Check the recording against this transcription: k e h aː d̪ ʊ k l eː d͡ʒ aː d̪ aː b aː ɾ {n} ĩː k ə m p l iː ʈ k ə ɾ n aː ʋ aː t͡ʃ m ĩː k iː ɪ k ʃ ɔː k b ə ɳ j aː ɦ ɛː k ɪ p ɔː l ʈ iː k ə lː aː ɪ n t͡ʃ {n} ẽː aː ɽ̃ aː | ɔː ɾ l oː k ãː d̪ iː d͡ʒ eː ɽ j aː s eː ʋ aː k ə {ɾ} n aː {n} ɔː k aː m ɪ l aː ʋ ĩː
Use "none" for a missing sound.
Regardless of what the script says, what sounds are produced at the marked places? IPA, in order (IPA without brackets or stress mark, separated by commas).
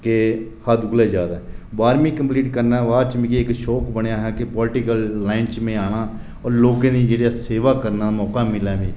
m, m, ɾ, m